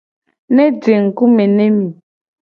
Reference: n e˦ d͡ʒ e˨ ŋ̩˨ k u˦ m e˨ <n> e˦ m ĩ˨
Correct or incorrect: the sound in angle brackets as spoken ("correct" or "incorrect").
correct